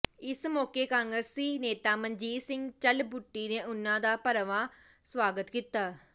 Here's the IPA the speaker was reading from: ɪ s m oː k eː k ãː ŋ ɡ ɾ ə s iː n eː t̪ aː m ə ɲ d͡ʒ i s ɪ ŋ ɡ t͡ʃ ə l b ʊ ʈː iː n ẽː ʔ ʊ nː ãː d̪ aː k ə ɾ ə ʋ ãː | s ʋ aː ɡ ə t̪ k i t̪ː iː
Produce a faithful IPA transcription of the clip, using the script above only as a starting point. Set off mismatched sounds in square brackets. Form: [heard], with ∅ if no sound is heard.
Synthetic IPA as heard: ɪ s m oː k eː k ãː ŋ ɡ ɾ ə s iː n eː t̪ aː m ə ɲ d͡ʒ [iː] s ɪ ŋ ɡ t͡ʃ ə l b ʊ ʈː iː n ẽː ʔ ʊ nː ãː d̪ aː [p] ə ɾ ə ʋ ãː | s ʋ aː ɡ ə t̪ k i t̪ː [aː]